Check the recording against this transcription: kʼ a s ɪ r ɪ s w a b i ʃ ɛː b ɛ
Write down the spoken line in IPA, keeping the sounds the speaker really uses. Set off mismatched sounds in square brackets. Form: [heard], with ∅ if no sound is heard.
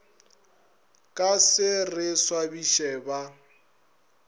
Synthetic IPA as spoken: kʼ a s ɪ r ɪ s w a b i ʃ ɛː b [a]

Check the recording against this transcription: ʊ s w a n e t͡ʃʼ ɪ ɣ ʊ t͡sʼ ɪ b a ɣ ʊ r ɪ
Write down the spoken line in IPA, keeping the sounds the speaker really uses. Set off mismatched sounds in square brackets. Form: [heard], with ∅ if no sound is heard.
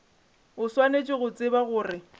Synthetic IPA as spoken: ʊ s w a n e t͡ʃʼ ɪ ɣ ʊ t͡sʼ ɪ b a ɣ [ʊː] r ɪ

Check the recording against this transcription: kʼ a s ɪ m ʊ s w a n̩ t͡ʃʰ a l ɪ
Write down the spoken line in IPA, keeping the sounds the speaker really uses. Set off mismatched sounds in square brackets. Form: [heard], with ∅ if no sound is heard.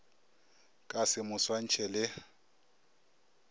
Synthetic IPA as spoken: kʼ a s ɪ m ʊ s w a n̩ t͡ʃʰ [ɛ] l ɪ

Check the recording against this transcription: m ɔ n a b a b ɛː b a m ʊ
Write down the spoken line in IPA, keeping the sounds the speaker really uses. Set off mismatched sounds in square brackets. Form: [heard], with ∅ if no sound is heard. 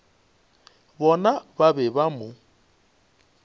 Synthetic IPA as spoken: [b] ɔ n a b a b [ɛ] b a m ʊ

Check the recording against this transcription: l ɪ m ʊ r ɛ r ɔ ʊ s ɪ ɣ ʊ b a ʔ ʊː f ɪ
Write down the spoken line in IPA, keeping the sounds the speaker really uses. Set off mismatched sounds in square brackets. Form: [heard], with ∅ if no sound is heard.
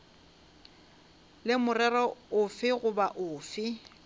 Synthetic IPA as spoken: l ɪ m ʊ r ɛ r ɔ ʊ [f] ɪ ɣ ʊ b a ʔ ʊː f ɪ

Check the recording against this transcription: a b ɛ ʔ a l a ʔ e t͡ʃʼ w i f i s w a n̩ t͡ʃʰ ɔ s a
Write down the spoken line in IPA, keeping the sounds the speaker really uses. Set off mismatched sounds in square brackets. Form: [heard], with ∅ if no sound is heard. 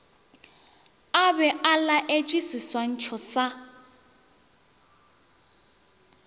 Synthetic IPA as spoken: a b ɛ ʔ a l a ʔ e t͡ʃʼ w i [s] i s w a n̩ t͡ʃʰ ɔ s a

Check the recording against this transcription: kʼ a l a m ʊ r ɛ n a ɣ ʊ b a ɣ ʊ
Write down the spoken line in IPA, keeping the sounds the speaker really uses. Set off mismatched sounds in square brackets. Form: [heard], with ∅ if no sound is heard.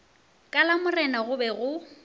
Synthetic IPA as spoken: kʼ a l a m ʊ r ɛ n a ɣ ʊ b [ɛ] ɣ ʊ

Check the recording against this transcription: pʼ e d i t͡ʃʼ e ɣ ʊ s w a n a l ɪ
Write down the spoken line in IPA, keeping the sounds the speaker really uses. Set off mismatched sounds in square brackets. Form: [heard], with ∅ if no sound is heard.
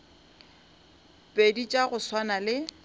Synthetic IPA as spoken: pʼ e d i t͡ʃʼ [a] ɣ ʊ s w a n a l ɪ

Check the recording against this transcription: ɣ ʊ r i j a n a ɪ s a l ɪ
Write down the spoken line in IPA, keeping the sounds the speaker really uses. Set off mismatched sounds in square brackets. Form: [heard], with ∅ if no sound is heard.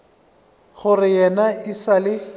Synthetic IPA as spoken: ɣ ʊ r [ɪ] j [ɛ] n a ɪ s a l ɪ

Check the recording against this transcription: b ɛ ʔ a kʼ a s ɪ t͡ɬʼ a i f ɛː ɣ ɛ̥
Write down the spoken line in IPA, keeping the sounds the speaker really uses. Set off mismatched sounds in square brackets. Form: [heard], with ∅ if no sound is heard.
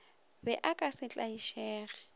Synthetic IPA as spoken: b ɛ ʔ a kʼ a s ɪ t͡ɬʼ a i [ʃ] ɛː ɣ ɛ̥

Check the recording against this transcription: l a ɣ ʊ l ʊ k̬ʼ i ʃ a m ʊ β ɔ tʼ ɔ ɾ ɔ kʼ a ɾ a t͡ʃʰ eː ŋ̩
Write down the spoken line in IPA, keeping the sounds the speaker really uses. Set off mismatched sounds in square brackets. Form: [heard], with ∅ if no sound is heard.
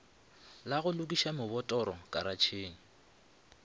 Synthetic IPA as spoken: l a ɣ ʊ l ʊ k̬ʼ i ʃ a m ʊ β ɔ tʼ ɔ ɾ ɔ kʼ a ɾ a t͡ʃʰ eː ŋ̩

